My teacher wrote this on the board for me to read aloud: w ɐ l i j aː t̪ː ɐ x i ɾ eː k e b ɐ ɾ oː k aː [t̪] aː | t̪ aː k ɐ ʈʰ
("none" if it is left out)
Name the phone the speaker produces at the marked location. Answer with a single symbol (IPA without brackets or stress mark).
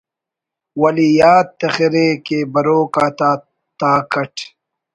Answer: t̪